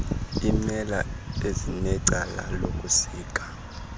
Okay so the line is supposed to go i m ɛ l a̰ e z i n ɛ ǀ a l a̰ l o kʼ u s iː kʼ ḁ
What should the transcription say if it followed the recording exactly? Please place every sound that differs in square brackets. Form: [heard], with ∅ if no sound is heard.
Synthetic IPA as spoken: i m ɛ l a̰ e z i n ɛ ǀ a l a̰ l o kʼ u s iː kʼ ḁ